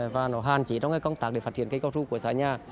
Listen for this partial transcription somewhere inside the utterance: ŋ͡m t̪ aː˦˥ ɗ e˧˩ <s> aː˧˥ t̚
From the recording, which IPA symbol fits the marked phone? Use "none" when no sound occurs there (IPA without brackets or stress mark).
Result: f